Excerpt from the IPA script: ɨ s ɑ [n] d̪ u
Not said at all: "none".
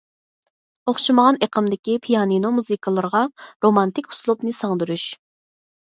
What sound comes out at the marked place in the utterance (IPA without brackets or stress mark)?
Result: ŋ